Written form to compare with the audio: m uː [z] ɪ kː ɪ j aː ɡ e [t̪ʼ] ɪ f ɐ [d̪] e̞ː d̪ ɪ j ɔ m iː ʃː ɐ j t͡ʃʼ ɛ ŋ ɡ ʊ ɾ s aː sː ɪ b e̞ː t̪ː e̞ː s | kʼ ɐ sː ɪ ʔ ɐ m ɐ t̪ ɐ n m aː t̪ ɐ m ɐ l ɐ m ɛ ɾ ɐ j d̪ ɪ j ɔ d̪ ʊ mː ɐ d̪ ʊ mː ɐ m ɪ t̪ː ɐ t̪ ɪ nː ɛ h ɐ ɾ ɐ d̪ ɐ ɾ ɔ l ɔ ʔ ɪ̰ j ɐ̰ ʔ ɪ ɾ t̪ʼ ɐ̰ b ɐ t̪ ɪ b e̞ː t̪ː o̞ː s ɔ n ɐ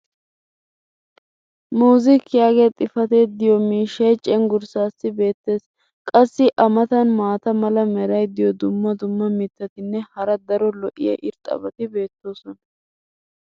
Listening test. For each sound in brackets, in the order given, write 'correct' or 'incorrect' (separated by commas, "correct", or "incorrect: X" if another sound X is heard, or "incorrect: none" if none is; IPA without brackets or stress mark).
correct, correct, incorrect: t̪